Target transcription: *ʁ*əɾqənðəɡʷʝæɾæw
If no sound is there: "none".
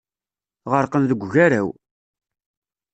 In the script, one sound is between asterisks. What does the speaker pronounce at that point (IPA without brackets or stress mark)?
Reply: ʁ